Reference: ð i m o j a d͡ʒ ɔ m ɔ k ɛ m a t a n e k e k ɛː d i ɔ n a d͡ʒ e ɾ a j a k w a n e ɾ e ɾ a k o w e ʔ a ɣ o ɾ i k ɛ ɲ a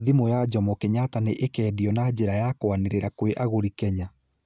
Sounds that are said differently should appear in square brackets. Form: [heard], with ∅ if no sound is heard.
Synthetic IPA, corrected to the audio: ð i m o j a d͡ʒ ɔ m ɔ k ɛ [ɲ] a t a n e [ʔ] e k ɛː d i ɔ n a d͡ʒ e ɾ a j a k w a n e ɾ e ɾ a k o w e ʔ a ɣ o ɾ i k ɛ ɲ a